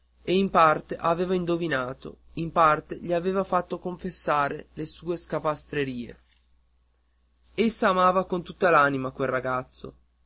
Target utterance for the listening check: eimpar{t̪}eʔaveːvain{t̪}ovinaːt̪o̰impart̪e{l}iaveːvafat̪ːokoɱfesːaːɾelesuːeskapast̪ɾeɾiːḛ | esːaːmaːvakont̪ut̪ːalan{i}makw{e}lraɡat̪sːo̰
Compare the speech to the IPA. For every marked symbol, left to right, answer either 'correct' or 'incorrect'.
correct, incorrect, incorrect, correct, correct

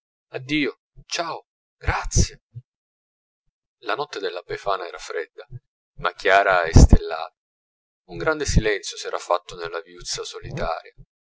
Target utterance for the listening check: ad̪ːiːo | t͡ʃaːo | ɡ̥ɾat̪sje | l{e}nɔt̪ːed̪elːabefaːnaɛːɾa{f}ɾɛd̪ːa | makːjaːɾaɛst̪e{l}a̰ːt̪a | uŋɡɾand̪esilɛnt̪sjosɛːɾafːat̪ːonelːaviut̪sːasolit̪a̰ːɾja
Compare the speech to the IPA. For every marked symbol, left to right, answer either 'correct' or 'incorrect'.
incorrect, correct, incorrect

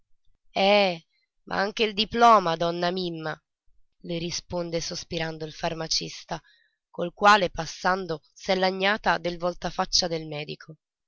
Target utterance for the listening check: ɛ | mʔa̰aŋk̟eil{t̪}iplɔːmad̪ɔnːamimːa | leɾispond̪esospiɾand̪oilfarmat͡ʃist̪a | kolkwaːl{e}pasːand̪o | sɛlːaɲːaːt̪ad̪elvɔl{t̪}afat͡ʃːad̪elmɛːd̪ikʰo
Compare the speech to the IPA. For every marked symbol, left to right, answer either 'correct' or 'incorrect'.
incorrect, correct, correct

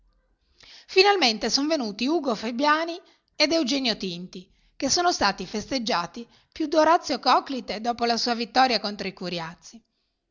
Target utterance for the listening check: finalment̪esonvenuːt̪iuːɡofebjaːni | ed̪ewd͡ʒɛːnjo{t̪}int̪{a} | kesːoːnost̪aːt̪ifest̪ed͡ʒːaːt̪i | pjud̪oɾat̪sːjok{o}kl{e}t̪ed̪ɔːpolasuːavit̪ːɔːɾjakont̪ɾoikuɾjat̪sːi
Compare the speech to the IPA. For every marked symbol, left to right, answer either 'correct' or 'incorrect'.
correct, incorrect, incorrect, incorrect

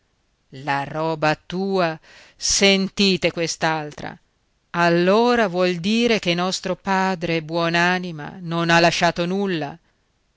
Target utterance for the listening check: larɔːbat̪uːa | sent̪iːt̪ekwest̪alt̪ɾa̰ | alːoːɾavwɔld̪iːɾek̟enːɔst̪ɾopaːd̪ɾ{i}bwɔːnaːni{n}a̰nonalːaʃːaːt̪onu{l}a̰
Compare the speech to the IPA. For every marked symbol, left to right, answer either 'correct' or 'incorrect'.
incorrect, incorrect, incorrect

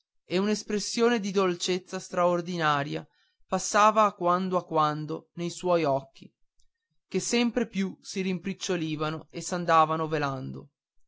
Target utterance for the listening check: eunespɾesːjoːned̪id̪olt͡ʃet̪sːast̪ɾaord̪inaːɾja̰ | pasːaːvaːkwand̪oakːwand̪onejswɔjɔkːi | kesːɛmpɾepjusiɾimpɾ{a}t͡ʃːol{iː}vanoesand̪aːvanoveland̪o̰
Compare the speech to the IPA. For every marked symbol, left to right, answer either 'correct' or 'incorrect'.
incorrect, correct

